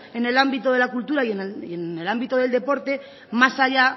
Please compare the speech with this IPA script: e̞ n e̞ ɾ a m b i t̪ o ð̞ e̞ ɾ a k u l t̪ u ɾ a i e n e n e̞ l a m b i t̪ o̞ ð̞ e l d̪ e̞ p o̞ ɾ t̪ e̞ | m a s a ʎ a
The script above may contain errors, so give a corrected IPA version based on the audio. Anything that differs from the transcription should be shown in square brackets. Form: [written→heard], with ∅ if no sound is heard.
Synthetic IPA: e̞ n e̞ [ɾ→l] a m b i t̪ o ð̞ e̞ [ɾ→l] a k u l t̪ u ɾ a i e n e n e̞ l a m b i t̪ o̞ ð̞ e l d̪ e̞ p o̞ ɾ t̪ e̞ | m a s a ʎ a